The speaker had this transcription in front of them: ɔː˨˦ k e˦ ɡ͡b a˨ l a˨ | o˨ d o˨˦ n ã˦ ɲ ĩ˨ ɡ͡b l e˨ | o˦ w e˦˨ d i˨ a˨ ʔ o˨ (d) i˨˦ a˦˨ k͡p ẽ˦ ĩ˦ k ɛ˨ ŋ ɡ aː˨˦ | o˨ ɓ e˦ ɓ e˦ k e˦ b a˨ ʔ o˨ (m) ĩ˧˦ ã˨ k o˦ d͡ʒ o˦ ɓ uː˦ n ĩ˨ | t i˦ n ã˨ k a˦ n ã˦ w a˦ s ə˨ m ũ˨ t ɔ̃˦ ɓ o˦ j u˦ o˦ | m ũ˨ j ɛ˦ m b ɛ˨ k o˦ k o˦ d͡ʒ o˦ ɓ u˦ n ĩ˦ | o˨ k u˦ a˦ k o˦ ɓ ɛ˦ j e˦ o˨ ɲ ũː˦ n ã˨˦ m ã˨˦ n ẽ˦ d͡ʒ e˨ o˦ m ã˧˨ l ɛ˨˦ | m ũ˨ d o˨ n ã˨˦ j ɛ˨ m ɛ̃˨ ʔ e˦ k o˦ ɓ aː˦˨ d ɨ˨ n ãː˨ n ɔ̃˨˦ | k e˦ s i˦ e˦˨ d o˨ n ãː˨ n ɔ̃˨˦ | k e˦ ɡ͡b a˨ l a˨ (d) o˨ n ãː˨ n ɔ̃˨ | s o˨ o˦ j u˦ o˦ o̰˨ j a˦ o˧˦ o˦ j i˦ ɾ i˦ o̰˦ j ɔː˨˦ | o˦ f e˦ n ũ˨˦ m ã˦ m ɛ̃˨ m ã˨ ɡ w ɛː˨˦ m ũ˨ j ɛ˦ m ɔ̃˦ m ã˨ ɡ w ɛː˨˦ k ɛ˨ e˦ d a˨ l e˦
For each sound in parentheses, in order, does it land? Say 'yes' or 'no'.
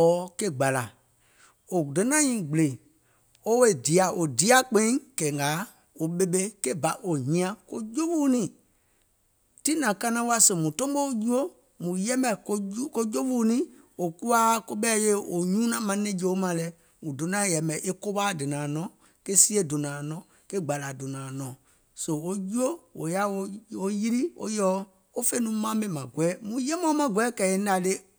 yes, no, yes

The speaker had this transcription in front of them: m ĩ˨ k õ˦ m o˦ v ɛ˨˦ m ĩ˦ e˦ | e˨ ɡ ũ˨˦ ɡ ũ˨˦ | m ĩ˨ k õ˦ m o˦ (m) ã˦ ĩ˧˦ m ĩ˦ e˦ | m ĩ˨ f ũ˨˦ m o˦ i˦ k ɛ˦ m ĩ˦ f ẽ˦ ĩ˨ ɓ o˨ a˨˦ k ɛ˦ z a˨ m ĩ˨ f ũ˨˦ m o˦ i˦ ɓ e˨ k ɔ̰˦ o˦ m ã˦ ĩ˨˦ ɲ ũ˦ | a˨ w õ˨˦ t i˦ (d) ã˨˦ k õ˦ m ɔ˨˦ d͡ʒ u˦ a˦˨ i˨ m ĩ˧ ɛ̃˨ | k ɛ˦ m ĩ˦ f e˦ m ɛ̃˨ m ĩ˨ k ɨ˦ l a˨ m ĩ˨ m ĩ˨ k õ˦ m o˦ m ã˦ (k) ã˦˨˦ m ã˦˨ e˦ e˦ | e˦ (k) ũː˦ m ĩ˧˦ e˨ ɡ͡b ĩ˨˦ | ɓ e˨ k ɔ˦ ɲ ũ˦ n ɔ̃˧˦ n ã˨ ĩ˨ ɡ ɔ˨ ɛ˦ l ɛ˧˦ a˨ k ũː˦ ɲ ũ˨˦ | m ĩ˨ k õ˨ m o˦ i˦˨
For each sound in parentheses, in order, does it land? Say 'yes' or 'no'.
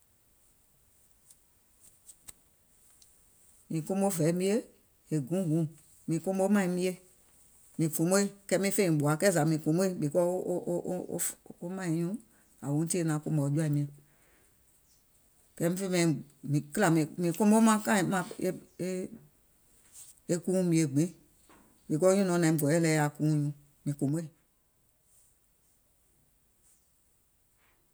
yes, no, yes, yes

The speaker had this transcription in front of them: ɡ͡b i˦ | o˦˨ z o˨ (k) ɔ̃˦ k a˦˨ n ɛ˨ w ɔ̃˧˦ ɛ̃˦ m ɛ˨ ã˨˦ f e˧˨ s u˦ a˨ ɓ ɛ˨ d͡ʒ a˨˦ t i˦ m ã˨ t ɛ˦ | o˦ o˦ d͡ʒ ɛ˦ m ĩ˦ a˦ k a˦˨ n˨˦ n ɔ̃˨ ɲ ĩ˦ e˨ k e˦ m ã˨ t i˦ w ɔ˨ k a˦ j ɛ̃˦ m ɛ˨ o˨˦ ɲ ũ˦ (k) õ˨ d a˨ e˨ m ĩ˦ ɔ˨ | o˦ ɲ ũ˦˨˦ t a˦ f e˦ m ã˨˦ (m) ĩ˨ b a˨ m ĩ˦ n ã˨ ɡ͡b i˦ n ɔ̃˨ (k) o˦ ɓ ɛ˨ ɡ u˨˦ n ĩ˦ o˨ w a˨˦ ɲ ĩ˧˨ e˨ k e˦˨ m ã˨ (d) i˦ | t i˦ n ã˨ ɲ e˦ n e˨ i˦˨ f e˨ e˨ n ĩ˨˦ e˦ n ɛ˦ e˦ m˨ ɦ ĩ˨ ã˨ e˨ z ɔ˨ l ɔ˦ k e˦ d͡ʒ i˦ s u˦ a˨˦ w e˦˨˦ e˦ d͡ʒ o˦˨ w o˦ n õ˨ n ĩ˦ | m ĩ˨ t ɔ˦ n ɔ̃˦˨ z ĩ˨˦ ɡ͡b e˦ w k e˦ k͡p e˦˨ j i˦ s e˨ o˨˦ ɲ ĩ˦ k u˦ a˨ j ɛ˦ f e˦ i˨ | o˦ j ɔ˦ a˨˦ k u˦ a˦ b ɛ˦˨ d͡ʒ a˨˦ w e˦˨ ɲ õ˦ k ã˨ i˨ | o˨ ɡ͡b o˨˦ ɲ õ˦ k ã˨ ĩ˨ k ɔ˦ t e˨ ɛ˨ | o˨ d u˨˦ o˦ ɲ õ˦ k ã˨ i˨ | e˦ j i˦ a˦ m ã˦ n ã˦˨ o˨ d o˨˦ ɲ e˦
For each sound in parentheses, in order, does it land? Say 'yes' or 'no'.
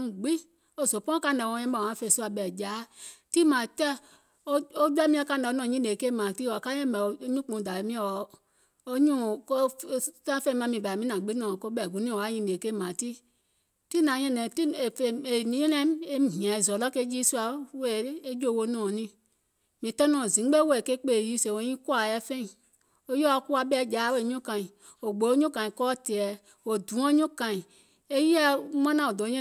no, no, yes, yes, no

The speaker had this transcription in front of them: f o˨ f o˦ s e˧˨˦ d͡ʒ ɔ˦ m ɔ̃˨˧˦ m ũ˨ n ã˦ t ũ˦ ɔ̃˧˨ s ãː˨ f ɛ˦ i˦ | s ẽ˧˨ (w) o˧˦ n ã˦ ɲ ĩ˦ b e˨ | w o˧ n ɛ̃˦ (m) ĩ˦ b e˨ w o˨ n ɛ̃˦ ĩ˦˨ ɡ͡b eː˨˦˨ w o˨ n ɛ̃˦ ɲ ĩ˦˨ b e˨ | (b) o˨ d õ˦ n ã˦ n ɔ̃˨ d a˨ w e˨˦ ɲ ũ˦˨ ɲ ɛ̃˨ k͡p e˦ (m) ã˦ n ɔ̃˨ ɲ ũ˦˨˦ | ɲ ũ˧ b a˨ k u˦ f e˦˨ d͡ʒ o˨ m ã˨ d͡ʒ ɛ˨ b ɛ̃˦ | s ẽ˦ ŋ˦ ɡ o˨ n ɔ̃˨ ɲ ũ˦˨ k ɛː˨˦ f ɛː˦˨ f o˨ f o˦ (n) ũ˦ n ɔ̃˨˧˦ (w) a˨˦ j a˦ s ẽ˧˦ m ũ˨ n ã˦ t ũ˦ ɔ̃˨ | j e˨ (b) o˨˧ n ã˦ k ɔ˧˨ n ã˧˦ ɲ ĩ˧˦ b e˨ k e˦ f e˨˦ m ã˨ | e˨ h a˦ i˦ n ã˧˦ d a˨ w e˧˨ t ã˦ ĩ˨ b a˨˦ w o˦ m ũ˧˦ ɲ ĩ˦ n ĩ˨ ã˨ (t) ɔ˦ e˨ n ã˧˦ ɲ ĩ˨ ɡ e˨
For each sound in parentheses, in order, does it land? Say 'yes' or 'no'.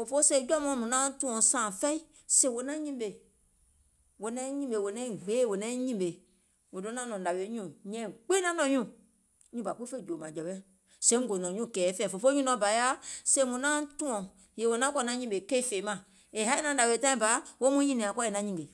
yes, no, no, no, no, no, no, no

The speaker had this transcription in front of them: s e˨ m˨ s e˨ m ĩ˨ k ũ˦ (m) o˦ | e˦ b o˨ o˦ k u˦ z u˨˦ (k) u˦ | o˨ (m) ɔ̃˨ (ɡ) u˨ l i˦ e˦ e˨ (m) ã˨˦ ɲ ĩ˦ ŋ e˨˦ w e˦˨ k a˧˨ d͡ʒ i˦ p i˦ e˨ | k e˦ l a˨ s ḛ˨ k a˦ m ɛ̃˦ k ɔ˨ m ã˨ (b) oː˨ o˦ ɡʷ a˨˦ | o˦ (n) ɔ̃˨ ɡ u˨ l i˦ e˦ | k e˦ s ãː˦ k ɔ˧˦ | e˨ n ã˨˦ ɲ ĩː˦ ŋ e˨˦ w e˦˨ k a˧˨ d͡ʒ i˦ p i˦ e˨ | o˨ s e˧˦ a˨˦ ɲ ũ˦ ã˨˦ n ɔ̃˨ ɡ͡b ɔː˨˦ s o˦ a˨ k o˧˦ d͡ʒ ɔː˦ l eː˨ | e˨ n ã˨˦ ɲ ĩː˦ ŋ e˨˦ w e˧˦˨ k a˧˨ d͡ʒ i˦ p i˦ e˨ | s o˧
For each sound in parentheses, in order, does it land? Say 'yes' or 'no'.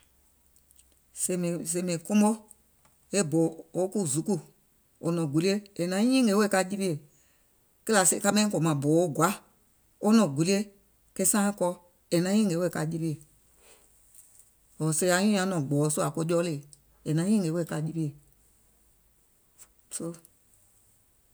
yes, yes, no, yes, no, yes, yes

